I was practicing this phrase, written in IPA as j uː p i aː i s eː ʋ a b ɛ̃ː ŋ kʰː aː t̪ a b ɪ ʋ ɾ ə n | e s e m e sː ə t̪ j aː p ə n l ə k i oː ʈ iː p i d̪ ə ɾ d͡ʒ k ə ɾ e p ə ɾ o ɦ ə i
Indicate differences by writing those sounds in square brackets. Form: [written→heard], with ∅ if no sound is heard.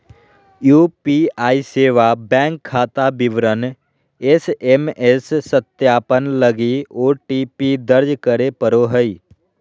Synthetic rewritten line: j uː p i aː i s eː ʋ a b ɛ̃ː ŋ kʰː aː t̪ a b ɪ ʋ ɾ ə n | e s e m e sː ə t̪ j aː p ə n l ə [k→ɡ] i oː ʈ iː p i d̪ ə ɾ d͡ʒ k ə ɾ e p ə ɾ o ɦ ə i